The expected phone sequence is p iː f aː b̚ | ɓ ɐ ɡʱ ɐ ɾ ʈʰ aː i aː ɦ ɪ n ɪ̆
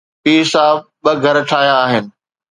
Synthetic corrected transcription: p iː s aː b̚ | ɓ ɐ ɡʱ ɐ ɾ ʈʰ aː j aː ɦ ɪ n ɪ̆